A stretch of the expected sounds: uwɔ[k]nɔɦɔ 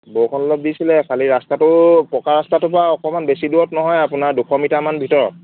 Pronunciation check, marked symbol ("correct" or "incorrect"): incorrect